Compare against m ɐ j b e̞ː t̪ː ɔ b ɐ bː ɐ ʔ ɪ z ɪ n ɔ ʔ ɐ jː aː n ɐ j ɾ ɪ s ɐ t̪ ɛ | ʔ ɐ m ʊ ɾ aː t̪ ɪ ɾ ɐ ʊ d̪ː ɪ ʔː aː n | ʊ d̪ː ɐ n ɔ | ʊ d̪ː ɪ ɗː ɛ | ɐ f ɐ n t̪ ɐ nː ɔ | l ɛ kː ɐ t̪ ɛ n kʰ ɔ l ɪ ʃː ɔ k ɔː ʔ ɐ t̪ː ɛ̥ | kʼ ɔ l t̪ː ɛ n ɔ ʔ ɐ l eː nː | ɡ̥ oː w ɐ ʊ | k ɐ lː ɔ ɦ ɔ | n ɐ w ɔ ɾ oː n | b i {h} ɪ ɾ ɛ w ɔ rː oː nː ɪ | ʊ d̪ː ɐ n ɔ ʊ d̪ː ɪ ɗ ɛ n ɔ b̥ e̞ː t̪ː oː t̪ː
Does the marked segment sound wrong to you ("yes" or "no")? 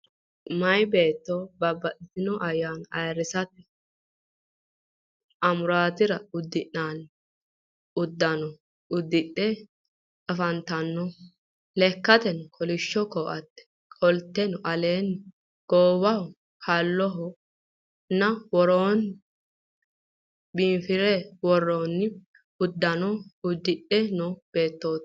yes